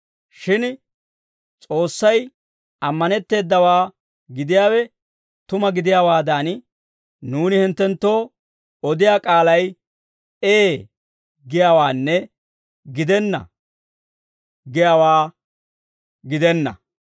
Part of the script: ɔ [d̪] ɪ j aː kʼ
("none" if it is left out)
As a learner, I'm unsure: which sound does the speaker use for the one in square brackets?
d̪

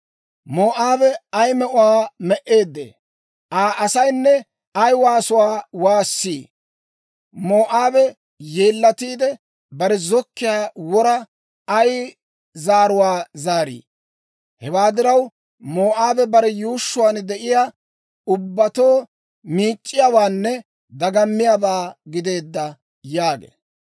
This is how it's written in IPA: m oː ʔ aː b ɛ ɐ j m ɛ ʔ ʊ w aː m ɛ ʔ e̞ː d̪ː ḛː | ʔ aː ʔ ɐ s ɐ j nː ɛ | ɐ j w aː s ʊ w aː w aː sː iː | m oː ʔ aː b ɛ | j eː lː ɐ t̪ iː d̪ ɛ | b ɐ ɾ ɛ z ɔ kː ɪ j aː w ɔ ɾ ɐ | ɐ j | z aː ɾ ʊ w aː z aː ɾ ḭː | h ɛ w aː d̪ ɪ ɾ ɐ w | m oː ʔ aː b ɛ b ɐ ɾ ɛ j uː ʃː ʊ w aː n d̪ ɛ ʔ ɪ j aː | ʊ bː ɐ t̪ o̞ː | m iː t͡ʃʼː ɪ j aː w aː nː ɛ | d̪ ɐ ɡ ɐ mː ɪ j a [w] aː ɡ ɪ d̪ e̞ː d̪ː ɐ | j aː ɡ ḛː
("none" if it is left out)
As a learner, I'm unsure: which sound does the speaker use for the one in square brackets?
b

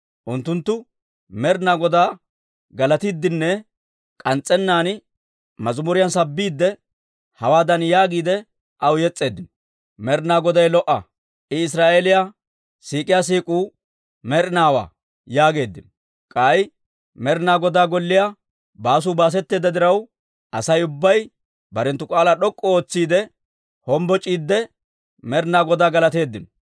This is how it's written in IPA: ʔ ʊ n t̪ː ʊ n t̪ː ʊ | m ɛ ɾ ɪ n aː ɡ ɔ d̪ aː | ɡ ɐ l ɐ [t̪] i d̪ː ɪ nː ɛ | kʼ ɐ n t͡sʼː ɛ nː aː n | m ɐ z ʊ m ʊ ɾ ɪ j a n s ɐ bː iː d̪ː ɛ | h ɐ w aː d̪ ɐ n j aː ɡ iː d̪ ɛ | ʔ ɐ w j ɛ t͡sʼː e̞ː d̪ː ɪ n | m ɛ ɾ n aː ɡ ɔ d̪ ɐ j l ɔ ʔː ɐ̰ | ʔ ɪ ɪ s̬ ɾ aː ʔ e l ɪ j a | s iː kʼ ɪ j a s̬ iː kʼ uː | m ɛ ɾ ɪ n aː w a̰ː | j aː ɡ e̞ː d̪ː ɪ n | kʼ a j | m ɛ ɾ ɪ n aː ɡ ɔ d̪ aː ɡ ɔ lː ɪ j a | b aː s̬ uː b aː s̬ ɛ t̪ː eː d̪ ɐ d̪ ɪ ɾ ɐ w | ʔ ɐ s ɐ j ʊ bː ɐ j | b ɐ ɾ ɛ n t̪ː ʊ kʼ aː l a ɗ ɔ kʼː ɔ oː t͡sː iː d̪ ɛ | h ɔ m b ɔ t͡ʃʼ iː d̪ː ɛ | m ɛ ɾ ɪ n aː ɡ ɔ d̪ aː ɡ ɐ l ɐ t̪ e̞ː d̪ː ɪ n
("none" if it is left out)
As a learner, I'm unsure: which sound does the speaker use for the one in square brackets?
t̪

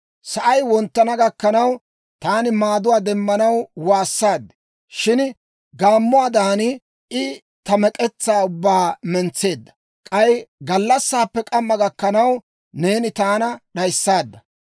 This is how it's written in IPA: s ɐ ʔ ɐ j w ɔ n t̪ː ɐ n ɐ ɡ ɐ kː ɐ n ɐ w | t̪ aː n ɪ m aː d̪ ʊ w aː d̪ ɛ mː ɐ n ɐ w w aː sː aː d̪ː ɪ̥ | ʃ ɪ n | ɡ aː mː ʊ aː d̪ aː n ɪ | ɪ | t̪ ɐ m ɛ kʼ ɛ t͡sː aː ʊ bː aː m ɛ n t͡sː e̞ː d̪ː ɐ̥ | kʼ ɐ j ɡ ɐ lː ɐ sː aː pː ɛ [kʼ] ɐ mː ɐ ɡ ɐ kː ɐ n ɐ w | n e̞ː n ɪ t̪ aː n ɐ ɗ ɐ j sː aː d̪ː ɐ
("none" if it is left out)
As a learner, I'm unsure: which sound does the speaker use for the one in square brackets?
kʼ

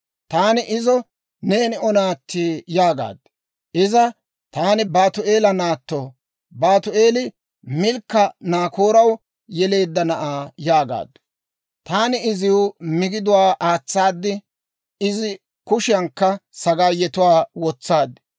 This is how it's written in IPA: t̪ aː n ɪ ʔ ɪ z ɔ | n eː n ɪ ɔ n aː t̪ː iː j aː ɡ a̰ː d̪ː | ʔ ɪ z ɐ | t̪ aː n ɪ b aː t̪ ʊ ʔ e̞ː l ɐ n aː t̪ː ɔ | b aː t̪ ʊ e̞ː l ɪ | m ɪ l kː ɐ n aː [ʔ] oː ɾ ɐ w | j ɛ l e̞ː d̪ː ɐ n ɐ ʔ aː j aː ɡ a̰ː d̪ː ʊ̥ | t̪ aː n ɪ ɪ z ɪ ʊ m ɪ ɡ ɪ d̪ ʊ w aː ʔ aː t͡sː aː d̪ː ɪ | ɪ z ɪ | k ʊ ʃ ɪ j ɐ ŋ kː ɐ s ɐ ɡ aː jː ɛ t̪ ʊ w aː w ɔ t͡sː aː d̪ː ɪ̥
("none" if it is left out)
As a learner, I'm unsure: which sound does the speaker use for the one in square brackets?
k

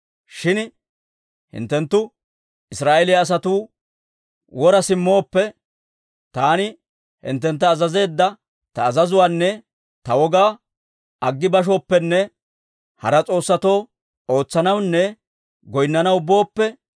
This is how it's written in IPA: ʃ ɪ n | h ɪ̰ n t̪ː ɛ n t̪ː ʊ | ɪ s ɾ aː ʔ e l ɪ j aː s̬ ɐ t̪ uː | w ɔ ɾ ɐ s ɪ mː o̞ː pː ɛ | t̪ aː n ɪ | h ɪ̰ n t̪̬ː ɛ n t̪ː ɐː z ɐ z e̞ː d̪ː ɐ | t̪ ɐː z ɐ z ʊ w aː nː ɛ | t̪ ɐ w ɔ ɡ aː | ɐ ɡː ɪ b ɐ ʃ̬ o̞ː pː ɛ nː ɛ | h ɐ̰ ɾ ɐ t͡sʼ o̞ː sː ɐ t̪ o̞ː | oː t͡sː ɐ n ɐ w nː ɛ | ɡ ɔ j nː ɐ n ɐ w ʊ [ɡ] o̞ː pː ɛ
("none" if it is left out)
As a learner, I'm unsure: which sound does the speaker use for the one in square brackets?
b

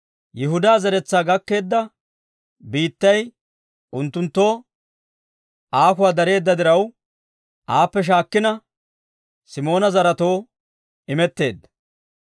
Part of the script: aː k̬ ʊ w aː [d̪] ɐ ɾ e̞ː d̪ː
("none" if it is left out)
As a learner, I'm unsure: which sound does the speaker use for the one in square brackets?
d̪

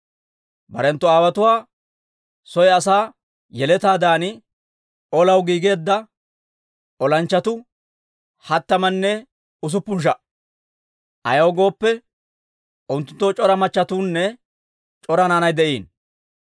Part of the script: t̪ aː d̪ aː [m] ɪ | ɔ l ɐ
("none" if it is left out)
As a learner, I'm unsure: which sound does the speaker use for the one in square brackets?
n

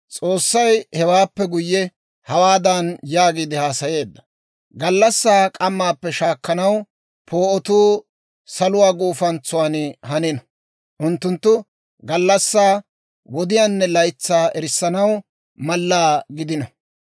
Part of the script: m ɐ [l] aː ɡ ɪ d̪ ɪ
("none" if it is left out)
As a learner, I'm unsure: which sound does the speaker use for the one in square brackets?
lː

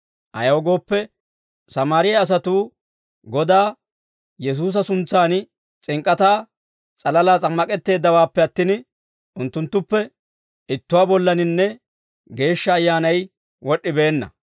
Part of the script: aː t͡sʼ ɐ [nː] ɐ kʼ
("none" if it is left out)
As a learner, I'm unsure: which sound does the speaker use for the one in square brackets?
mː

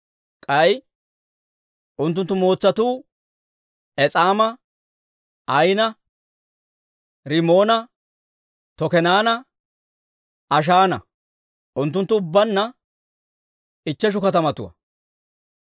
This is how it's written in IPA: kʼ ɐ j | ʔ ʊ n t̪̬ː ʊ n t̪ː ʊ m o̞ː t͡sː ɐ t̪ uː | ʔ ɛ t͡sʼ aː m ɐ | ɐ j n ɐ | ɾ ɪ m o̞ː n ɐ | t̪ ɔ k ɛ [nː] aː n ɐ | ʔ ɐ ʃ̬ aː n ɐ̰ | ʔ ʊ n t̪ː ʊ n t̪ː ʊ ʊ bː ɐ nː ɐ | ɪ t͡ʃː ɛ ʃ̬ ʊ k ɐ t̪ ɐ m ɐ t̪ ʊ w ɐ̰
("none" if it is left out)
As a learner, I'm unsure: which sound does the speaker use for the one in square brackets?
n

